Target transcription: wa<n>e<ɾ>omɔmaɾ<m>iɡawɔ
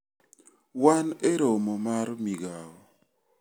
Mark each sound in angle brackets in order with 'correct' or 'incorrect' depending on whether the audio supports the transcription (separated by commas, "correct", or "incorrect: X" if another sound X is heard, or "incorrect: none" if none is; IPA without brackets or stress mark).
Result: correct, correct, correct